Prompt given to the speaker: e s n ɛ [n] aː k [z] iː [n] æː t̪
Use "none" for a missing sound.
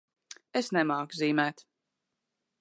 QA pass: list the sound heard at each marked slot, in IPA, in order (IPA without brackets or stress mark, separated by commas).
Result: m, z, m